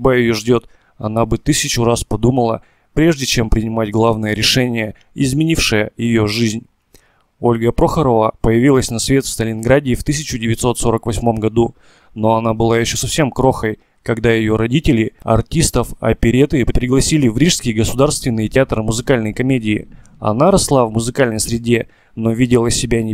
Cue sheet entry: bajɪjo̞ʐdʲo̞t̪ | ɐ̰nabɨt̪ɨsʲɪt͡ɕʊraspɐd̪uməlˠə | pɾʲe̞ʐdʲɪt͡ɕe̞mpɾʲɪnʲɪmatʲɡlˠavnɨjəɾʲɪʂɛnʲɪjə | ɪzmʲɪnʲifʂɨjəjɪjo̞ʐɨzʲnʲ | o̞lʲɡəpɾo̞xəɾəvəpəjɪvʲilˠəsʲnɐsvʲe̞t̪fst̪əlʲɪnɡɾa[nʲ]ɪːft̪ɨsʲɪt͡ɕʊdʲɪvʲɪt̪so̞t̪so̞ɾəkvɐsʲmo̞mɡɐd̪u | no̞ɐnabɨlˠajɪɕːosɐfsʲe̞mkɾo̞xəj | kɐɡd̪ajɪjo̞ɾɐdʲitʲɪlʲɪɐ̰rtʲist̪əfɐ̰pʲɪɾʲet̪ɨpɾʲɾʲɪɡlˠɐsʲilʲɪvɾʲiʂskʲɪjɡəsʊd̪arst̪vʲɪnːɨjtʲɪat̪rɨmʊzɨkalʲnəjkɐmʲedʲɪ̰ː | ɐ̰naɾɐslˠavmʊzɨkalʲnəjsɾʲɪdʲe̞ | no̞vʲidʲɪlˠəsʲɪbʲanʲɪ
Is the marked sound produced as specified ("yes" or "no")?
no